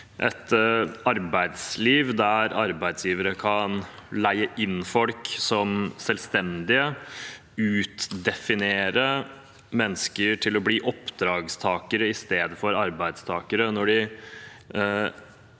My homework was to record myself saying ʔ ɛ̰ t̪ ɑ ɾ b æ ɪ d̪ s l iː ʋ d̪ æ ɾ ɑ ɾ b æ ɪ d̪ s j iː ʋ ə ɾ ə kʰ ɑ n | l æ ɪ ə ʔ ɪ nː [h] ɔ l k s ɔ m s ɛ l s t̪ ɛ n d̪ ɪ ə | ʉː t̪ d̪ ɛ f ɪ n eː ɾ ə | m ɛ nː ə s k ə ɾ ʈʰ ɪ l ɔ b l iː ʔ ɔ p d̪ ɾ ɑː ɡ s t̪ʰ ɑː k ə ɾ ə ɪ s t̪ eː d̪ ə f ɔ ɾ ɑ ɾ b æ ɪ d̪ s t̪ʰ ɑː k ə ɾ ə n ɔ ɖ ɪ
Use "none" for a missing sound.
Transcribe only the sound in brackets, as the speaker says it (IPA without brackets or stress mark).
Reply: f